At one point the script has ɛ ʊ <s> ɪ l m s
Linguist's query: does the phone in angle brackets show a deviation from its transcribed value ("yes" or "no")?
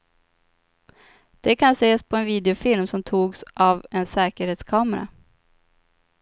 yes